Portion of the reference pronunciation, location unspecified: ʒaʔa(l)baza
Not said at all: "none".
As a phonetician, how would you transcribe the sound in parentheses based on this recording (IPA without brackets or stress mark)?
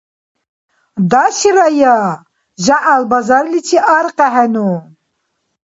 l